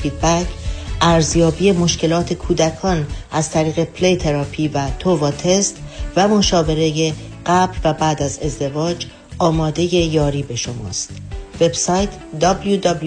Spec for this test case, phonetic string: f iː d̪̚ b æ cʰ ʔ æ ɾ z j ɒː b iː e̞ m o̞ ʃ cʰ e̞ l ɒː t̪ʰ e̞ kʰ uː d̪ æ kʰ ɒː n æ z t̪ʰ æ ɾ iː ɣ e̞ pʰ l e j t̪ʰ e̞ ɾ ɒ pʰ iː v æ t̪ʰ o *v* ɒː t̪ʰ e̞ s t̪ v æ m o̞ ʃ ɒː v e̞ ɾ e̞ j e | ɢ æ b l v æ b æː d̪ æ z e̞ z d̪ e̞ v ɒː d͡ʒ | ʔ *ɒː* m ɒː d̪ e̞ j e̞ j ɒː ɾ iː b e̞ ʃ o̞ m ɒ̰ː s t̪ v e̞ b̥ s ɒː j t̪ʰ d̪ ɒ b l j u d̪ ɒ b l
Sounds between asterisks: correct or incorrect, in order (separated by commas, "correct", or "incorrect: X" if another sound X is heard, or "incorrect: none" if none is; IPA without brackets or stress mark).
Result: correct, correct